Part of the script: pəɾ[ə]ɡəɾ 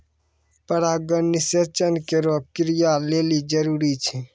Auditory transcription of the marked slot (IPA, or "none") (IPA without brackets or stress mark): a